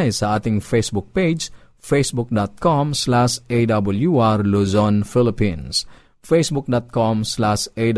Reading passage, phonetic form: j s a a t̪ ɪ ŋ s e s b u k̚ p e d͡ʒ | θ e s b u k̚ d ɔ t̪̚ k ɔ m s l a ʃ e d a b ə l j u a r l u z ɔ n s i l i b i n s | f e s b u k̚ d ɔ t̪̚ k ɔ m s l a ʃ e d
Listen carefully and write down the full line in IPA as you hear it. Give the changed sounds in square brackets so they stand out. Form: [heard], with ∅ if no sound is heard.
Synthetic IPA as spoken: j s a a t̪ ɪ ŋ [f] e s b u k̚ p e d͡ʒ | [f] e s b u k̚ d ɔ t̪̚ k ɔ m s l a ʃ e d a b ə l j u a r l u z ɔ n [f] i l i [p] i n s | f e s b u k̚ d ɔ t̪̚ k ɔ m s l a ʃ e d